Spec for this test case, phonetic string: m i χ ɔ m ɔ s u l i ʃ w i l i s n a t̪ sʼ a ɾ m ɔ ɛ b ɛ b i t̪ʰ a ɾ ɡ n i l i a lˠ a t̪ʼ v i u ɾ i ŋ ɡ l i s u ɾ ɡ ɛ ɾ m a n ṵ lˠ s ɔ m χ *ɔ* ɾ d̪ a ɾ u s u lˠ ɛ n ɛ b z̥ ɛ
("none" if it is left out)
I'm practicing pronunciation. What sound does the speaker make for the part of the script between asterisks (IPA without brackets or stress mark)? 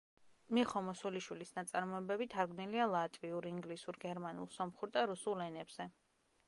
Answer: u